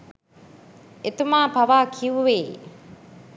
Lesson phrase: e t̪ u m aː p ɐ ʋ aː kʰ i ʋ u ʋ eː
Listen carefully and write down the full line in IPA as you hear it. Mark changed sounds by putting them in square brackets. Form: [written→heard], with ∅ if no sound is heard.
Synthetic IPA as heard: e t̪ u m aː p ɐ ʋ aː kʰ i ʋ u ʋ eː